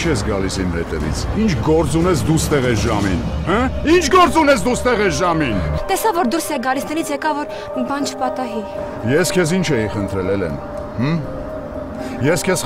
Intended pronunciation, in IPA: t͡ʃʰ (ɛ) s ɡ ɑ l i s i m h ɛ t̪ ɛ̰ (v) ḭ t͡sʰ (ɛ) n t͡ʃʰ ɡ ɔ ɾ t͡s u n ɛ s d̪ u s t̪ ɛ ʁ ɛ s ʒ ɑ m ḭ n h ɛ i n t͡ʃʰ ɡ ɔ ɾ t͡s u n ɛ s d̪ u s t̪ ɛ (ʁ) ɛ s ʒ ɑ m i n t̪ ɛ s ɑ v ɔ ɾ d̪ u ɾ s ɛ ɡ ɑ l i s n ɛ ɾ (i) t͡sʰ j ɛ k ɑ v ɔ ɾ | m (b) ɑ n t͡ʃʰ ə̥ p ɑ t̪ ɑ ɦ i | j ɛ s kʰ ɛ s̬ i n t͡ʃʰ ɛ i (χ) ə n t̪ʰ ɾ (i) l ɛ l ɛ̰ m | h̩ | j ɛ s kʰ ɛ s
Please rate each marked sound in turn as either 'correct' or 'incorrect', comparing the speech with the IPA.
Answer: correct, correct, incorrect, correct, correct, correct, correct, incorrect

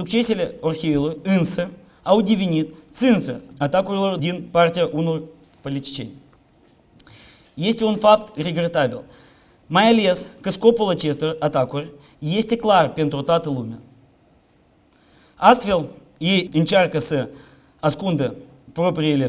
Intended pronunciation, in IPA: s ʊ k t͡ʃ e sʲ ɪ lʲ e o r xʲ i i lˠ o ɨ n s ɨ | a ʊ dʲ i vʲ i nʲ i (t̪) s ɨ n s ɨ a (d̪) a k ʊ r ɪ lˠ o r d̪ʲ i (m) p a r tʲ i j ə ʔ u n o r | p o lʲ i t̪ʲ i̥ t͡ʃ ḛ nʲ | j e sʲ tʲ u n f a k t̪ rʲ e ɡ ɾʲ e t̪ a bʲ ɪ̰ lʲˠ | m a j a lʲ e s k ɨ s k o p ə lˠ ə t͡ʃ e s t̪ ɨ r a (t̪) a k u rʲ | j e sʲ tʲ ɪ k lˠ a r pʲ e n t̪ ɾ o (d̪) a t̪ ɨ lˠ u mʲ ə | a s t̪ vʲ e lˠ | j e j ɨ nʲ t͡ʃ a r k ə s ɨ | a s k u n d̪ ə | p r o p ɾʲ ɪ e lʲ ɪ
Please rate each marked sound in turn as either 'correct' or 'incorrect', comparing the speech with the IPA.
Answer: correct, incorrect, incorrect, correct, incorrect

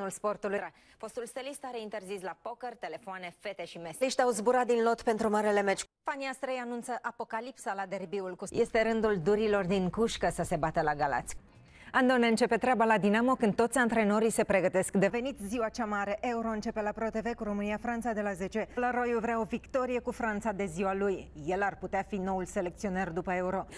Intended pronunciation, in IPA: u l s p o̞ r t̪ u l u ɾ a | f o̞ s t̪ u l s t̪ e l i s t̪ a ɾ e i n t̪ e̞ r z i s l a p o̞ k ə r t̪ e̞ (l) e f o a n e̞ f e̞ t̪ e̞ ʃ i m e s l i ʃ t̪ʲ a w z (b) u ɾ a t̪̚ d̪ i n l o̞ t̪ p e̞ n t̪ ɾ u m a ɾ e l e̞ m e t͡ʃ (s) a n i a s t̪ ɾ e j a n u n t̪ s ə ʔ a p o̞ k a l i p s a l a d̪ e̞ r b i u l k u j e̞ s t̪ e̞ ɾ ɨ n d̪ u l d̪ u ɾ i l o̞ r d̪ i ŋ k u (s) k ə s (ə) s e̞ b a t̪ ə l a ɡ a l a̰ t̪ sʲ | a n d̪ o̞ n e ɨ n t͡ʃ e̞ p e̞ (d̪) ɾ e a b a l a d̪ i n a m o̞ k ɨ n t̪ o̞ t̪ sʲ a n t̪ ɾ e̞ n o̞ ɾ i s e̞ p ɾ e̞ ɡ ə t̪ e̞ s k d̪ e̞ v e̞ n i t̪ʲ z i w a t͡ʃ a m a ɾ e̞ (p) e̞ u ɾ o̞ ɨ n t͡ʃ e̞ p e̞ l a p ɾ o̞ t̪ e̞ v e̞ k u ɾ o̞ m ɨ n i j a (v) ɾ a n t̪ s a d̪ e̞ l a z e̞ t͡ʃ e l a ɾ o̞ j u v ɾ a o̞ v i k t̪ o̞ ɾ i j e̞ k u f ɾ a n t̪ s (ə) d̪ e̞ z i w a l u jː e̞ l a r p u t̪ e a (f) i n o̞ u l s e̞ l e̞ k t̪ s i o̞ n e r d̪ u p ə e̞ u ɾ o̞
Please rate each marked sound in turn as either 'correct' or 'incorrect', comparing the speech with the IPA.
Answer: correct, correct, incorrect, incorrect, correct, incorrect, incorrect, incorrect, incorrect, correct

